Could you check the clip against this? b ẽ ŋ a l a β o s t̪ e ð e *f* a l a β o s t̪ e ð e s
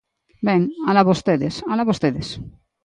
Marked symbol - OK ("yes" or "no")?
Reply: no